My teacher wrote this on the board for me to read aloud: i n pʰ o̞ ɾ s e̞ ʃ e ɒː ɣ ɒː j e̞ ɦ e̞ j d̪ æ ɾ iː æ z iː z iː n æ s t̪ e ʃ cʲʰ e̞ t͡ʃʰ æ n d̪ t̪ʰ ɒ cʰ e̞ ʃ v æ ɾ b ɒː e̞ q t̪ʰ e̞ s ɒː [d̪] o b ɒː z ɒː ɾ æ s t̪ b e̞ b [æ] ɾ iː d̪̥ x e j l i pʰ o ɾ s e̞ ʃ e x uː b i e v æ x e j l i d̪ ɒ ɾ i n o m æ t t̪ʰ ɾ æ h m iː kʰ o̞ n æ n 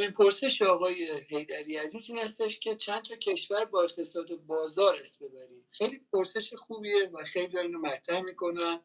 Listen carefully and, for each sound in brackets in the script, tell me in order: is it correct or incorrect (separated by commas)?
correct, correct